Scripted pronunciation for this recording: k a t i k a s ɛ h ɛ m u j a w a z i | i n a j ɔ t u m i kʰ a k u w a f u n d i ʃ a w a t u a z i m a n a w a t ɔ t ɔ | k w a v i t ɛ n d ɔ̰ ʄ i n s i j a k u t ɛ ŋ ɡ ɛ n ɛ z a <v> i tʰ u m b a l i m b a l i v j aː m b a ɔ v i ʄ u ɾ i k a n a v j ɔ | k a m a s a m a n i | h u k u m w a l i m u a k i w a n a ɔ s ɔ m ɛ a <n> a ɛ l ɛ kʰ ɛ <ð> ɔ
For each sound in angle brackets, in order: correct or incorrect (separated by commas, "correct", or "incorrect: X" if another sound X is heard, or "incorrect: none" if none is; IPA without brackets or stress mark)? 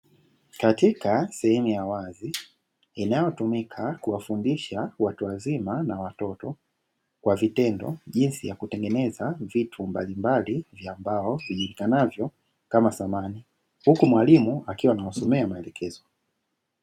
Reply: correct, incorrect: m, incorrect: z